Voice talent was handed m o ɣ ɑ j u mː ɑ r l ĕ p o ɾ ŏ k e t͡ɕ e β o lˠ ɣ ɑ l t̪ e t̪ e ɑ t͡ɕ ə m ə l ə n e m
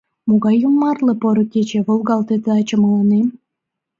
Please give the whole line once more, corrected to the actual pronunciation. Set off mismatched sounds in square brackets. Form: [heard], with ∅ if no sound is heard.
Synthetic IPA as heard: m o ɣ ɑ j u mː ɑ r l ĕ p o ɾ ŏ k e t͡ɕ e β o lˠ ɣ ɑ l t̪ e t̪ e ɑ t͡ɕ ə m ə l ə n e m